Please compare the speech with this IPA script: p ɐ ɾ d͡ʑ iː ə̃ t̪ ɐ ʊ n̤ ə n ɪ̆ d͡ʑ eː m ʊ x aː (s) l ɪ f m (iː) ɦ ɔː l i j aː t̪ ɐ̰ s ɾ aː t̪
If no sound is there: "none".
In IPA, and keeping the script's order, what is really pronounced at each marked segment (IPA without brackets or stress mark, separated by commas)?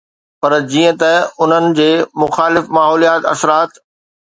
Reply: none, aː